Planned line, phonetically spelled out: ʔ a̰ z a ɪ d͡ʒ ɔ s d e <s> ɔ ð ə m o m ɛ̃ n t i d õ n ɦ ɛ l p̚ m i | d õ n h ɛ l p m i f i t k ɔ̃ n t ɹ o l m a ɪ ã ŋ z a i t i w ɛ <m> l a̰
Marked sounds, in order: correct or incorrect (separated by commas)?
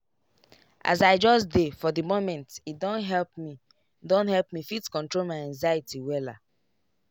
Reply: incorrect, incorrect